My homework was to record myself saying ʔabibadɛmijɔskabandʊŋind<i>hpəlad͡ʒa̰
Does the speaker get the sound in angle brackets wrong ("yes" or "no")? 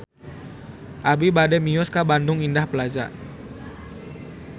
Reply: yes